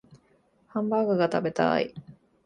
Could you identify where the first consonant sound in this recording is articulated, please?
glottal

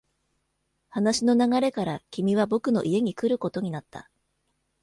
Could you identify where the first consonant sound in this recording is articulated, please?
glottal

